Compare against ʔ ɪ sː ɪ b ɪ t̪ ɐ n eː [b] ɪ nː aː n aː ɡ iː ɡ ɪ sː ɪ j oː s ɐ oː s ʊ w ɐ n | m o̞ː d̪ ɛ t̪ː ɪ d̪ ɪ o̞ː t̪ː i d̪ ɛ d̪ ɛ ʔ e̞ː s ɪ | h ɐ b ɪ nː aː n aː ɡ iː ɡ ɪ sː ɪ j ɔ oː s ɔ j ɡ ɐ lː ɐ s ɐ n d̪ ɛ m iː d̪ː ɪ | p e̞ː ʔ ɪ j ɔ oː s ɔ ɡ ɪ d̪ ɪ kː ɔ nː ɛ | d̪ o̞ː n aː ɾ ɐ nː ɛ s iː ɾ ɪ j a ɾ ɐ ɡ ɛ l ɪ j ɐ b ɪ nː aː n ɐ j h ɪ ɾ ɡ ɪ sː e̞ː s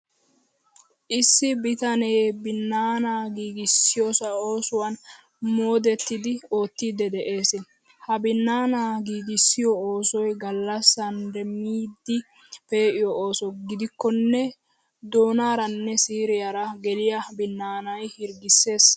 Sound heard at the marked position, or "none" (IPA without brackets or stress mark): b